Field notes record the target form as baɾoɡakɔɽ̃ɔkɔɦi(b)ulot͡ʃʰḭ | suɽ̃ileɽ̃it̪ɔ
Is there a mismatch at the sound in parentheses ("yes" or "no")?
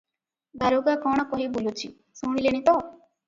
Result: no